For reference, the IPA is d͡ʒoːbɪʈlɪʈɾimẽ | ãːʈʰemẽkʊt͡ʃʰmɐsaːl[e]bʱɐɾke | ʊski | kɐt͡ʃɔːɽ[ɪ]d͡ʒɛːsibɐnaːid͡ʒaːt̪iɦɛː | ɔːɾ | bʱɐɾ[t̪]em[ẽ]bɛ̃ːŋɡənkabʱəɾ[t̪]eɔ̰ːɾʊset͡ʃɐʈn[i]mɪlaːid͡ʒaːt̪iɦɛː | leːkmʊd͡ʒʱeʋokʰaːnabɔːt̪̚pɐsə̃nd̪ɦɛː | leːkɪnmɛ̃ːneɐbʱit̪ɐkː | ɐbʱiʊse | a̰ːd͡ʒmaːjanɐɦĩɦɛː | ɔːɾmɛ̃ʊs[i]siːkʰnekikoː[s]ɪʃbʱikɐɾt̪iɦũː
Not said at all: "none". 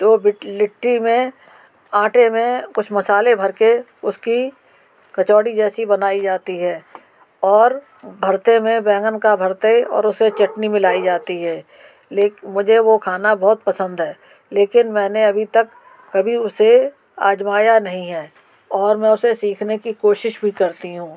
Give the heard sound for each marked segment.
e, i, t̪, ẽ, t̪, i, e, ʃ

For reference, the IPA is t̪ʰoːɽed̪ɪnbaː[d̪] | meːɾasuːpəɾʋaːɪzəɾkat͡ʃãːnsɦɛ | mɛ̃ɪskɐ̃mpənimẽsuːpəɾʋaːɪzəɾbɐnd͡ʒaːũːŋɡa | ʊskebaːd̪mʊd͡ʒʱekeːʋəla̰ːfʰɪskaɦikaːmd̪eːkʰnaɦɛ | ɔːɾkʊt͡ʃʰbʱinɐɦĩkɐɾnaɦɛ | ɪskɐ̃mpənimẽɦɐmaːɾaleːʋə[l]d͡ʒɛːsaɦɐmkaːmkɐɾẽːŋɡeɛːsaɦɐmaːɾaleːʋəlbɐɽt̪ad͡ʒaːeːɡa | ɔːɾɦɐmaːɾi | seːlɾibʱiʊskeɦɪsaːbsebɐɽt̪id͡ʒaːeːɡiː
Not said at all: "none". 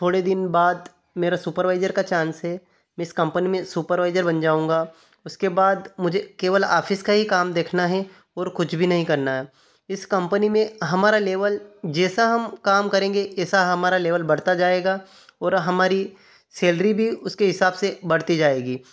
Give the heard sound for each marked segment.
d̪, l

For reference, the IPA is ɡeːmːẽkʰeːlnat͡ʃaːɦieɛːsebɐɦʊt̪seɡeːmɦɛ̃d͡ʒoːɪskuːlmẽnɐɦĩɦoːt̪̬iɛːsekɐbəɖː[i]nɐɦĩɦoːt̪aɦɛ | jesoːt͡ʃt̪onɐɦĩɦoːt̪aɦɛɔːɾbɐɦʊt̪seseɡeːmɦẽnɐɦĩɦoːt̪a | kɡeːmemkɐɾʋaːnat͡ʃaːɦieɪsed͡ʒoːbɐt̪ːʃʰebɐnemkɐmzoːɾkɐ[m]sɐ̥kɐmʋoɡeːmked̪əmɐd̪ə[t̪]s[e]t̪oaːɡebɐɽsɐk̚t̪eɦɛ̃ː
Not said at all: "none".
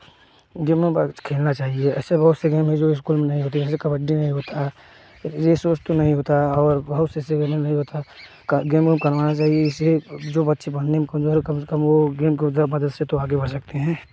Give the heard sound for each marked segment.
i, m, d̪, e

